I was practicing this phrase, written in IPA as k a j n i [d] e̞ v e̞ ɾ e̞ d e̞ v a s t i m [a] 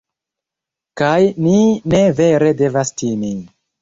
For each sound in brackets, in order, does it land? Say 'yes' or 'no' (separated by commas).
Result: no, no